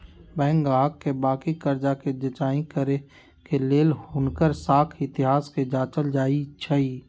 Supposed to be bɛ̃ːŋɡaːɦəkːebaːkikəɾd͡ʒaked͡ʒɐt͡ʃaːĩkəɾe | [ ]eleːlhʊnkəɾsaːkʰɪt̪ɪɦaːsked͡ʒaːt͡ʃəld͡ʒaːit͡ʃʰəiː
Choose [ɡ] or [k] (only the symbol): k